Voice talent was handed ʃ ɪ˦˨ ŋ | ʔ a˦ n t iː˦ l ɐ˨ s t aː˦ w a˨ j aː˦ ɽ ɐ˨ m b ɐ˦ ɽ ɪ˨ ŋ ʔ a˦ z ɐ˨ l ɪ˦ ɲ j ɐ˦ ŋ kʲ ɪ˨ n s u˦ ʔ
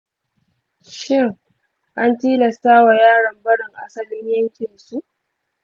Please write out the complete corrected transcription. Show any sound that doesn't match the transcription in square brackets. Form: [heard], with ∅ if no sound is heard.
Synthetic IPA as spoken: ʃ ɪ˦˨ ŋ | ʔ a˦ n t iː˦ l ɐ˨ s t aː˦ w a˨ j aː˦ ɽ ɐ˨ m b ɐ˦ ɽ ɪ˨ ŋ ʔ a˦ [s] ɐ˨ l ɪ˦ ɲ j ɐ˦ ŋ kʲ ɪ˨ n s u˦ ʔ